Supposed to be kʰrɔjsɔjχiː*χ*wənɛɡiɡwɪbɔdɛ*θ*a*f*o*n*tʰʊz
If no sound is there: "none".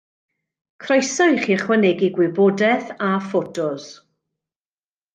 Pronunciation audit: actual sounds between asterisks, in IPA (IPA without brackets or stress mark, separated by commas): χ, θ, f, none